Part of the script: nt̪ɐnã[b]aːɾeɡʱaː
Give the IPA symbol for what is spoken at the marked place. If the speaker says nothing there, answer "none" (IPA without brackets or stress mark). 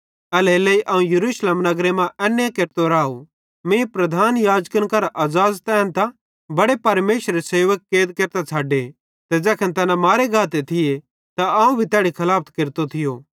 m